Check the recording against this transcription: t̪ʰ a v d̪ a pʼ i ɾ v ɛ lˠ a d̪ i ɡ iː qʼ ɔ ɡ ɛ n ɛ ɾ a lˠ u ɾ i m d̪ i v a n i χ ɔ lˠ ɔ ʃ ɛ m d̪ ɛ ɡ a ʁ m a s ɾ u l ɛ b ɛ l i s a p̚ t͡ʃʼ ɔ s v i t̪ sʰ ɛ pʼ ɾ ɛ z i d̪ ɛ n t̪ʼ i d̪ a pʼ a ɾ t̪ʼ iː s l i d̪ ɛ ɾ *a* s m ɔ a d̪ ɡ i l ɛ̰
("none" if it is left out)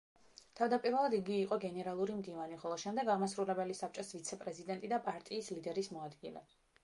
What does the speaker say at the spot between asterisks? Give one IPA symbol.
i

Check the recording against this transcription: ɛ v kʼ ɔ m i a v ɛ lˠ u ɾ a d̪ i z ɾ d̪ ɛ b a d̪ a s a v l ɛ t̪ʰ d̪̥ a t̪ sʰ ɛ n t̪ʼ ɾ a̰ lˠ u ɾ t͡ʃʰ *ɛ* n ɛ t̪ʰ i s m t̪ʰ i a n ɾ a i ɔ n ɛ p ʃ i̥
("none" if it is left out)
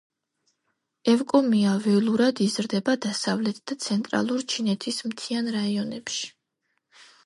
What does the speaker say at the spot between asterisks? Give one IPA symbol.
i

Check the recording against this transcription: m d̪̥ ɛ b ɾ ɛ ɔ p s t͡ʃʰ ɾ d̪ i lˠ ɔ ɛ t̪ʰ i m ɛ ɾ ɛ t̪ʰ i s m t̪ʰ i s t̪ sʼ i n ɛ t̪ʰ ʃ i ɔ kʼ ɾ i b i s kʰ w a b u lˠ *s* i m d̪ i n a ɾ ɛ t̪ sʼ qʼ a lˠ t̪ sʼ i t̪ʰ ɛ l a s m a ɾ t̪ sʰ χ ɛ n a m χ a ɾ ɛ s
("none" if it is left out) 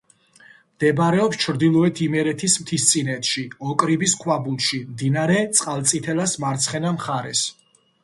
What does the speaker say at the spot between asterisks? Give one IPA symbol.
ʃ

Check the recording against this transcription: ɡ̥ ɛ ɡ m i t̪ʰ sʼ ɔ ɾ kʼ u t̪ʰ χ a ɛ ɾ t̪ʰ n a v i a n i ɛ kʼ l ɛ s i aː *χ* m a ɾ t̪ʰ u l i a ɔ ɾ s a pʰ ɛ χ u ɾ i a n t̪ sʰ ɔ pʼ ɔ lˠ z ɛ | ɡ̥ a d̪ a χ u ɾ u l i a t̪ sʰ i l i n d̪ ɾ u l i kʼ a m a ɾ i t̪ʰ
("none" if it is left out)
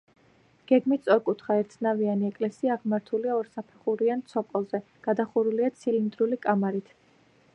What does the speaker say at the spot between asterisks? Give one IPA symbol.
ʁ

